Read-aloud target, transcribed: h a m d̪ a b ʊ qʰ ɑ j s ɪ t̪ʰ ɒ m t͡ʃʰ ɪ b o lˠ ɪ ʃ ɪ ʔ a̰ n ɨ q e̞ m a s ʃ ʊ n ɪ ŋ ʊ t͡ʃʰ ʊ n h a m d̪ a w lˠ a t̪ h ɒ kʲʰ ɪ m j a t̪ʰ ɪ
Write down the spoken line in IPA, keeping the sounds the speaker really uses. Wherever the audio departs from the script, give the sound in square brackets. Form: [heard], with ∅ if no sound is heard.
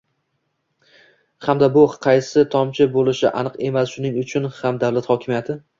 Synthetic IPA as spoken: h a m d̪ a b ʊ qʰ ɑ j s ɪ t̪ʰ ɒ m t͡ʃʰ ɪ b o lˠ ɪ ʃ ɪ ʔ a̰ n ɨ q e̞ m a s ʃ ʊ n ɪ ŋ ʊ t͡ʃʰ ʊ n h a m d̪ a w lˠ a t̪ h ɒ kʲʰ ɪ m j a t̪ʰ ɪ

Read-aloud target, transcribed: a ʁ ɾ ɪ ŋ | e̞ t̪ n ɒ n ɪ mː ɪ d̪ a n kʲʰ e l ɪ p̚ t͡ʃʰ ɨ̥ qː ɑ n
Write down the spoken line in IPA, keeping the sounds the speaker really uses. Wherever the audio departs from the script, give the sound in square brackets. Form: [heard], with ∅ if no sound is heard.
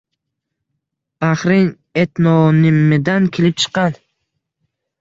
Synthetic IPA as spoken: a [χ] ɾ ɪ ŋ | e̞ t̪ n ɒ n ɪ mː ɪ d̪ a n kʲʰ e l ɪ p̚ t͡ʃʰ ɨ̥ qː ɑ n

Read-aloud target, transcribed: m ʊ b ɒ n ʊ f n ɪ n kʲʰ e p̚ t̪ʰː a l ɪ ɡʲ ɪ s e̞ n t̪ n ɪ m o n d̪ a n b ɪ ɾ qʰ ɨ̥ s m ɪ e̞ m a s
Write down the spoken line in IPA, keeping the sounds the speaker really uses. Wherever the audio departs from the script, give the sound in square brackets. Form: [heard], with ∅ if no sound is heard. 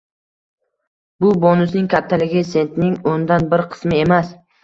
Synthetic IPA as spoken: [b] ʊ b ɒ n ʊ [s] n ɪ [ŋ] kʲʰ [a] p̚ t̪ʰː a l ɪ ɡʲ ɪ s e̞ n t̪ n ɪ [ŋ] o n d̪ a n b ɪ ɾ qʰ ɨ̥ s m ɪ e̞ m a s

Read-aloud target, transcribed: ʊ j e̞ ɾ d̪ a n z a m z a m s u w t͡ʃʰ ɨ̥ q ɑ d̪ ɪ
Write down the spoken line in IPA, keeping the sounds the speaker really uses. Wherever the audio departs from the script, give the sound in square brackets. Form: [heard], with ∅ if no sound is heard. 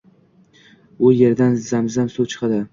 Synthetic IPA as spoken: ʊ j e̞ ɾ d̪ a n z a m z a m s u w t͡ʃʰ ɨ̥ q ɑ d̪ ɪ

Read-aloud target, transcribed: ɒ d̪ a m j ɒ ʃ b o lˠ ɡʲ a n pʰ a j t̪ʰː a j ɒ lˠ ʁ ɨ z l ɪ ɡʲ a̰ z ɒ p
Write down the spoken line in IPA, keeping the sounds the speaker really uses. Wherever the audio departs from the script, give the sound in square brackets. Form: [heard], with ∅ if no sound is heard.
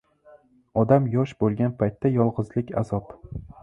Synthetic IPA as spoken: ɒ d̪ a m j ɒ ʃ b o lˠ ɡʲ a n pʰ a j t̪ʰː a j ɒ lˠ ʁ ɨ z l ɪ [kʲ] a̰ z ɒ p

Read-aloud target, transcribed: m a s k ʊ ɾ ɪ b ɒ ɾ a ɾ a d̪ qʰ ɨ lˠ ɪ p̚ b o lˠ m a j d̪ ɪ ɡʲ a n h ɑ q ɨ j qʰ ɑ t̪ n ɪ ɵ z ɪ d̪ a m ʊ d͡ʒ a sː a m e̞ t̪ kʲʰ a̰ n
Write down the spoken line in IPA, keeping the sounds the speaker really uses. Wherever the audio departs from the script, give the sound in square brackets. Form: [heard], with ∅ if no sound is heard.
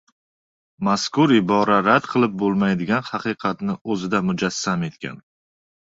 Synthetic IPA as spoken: m a s k ʊ ɾ ɪ b ɒ ɾ a ɾ a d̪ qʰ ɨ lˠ ɪ p̚ b o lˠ m a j d̪ ɪ ɡʲ a n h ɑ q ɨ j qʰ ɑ t̪ n ɪ ɵ z ɪ d̪ a m ʊ d͡ʒ a sː a m e̞ t̪ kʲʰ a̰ n

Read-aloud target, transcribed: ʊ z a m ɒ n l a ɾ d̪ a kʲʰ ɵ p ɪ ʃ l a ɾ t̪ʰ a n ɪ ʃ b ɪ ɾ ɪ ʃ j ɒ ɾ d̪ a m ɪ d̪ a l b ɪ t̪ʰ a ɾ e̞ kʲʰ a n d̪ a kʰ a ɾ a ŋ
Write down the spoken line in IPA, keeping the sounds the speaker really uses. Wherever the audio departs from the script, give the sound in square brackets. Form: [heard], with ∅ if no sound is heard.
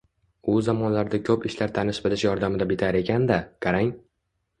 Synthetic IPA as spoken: ʊ z a m ɒ n l a ɾ d̪ a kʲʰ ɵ p ɪ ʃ l a ɾ t̪ʰ a n ɪ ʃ b ɪ [l] ɪ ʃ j ɒ ɾ d̪ a m ɪ d̪ a [∅] b ɪ t̪ʰ a ɾ e̞ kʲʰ a n d̪ a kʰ a ɾ a ŋ

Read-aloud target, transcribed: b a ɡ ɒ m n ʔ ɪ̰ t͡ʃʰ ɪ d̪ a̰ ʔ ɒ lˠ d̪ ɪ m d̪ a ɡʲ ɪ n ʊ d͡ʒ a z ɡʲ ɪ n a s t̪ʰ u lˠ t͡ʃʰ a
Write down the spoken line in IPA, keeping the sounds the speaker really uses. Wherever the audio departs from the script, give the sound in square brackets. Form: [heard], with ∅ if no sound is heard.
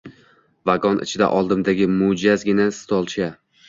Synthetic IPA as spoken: [v] a ɡ ɒ [∅] n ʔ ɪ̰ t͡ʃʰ ɪ d̪ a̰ ʔ ɒ lˠ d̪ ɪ m d̪ a ɡʲ ɪ [m] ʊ d͡ʒ a z ɡʲ ɪ n a s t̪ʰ [ɒ] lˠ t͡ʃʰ a

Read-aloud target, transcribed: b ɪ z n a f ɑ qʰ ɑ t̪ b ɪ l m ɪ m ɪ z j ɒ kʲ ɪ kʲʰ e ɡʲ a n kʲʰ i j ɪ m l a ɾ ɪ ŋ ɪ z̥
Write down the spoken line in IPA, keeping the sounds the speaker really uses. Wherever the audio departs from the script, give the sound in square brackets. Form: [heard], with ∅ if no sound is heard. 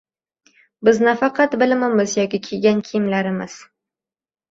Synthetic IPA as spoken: b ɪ z n a f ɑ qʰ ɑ t̪ b ɪ l m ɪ m ɪ z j ɒ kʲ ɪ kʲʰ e ɡʲ a n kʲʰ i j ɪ m l a ɾ ɪ [m] ɪ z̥

